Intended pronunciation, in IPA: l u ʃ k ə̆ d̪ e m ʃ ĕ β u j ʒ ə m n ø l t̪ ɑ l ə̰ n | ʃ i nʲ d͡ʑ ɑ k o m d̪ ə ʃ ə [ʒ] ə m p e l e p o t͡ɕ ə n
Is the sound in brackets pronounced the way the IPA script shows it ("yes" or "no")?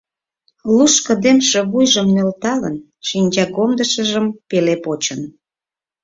yes